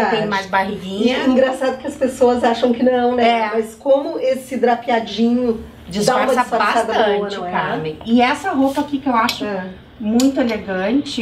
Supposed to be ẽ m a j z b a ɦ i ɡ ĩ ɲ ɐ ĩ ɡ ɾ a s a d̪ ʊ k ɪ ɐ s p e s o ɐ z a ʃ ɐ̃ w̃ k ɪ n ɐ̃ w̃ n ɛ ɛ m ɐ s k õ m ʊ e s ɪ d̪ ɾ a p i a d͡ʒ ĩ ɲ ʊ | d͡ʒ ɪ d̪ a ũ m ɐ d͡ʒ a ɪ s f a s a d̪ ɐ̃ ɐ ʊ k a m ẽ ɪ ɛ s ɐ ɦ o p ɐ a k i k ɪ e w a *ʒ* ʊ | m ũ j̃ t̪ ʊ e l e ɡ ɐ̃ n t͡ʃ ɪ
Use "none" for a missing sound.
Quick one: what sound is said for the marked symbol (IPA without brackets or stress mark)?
ʃ